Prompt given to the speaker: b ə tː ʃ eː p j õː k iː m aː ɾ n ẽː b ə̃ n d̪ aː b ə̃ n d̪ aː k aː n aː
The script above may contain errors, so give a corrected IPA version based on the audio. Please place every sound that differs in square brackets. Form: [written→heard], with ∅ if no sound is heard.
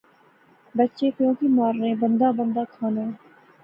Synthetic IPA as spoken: b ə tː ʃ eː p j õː k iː m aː ɾ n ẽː b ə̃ n d̪ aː b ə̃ n d̪ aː [k→kʰ] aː n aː